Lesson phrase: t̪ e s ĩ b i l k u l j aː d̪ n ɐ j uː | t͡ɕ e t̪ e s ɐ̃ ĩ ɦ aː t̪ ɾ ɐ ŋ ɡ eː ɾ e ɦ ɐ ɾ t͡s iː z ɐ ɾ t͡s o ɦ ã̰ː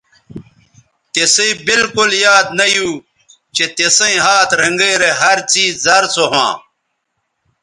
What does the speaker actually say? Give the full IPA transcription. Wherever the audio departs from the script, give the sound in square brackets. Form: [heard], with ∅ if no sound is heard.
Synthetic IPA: t̪ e s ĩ b i l k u l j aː d̪ n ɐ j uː | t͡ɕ e t̪ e s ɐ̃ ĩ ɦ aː t̪ ɾ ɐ ŋ ɡ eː ɾ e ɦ ɐ ɾ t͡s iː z ɐ ɾ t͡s o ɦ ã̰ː